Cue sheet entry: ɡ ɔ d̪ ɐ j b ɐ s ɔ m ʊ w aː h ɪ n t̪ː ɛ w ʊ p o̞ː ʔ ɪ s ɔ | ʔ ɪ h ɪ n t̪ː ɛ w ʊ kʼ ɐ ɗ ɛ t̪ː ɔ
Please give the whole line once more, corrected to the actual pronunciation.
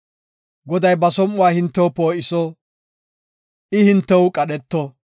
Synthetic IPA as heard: ɡ ɔ d̪ ɐ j b ɐ s ɔ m ʊ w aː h ɪ n t̪ː ɛ w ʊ p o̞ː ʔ ɪ s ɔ | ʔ ɪ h ɪ n t̪ː ɛ w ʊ kʼ ɐ ɗ ɛ t̪ː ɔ